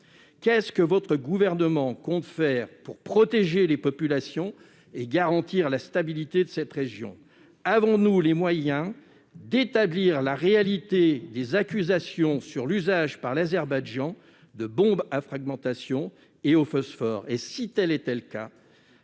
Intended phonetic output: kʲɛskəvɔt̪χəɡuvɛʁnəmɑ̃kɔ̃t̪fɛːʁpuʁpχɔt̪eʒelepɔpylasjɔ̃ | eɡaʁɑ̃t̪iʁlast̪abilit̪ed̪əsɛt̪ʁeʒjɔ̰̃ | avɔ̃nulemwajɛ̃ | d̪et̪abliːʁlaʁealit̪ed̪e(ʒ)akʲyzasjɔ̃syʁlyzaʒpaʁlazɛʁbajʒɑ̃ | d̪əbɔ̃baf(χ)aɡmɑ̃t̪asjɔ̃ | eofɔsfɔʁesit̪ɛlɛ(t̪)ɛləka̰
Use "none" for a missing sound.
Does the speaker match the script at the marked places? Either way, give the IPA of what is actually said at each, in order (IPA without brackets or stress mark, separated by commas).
z, χ, t̪